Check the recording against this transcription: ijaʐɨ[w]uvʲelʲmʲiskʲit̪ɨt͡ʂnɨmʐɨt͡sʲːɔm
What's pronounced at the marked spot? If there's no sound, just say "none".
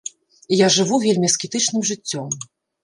v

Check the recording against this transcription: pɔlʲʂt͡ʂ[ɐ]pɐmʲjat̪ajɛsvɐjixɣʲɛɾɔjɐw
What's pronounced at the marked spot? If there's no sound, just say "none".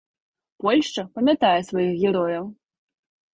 ɐ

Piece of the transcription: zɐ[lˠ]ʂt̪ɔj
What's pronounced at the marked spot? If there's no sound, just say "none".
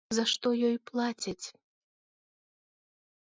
none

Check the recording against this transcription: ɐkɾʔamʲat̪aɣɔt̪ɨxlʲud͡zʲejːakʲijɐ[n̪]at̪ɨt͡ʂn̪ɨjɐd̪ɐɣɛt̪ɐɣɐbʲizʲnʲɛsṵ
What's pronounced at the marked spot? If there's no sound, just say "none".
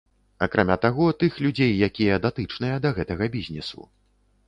d̪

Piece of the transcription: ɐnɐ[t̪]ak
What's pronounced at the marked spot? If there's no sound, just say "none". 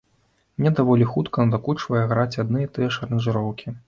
d̪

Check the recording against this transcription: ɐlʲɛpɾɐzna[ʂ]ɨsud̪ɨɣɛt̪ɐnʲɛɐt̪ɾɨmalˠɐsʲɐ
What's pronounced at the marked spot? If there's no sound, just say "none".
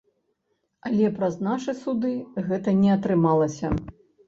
ʂ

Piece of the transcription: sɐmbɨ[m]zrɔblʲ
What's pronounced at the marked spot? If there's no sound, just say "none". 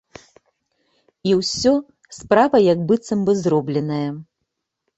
none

